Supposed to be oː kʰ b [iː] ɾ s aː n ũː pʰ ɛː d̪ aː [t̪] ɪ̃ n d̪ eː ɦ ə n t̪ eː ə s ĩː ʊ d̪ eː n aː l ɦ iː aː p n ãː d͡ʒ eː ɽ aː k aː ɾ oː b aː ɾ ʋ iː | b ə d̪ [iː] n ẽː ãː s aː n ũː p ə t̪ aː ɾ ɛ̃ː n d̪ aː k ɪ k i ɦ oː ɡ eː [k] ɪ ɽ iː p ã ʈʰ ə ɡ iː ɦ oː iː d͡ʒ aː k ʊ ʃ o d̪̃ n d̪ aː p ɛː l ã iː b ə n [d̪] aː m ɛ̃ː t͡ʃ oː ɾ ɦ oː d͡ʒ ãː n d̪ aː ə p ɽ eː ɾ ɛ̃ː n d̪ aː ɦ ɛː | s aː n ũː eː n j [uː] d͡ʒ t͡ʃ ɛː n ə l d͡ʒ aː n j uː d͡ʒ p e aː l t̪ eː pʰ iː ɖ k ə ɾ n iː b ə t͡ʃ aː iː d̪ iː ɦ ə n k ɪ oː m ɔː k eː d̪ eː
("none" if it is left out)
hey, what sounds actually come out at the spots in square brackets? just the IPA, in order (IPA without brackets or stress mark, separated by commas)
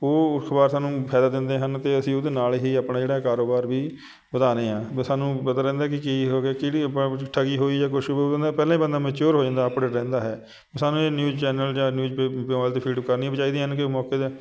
aː, d̪, aː, k, d̪, uː